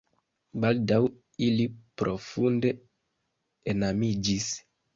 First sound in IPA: b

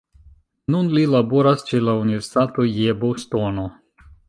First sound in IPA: n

